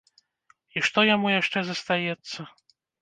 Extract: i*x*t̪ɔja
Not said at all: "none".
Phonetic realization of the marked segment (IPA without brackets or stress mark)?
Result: ʂ